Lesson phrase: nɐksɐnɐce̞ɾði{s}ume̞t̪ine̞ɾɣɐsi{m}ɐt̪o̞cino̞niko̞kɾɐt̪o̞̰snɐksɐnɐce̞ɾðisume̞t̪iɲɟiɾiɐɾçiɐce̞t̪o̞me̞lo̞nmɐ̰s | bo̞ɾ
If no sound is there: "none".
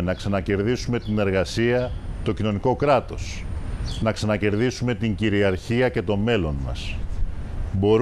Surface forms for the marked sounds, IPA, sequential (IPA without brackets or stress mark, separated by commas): s, none